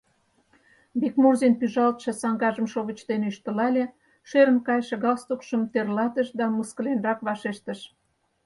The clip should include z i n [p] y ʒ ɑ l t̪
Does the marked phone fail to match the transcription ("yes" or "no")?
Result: no